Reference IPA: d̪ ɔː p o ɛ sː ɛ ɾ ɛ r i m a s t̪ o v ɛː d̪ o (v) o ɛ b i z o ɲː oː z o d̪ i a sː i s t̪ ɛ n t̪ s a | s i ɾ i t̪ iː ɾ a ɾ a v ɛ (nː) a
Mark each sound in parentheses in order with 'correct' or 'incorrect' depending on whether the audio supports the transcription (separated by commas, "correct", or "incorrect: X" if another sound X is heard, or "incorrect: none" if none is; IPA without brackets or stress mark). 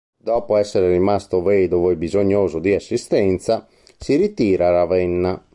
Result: correct, correct